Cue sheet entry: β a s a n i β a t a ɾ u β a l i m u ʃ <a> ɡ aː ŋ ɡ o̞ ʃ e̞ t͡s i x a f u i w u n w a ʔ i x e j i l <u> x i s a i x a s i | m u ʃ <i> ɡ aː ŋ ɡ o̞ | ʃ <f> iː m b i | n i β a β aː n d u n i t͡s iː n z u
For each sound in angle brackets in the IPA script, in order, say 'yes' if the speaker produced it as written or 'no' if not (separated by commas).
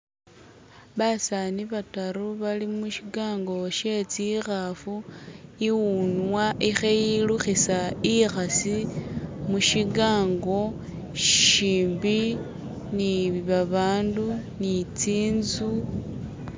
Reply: no, yes, yes, no